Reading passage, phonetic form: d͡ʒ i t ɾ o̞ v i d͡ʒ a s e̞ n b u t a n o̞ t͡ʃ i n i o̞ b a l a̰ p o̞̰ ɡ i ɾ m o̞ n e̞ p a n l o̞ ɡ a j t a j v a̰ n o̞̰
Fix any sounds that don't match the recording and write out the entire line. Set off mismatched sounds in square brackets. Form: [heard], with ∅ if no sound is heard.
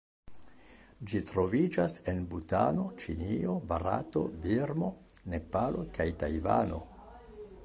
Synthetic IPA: d͡ʒ i t ɾ o̞ v i d͡ʒ a s e̞ n b u t a n o̞ t͡ʃ i n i o̞ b a [ɾ] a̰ [t] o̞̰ [b] i ɾ m o̞ n e̞ p a [∅] l o̞ [k] a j t a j v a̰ n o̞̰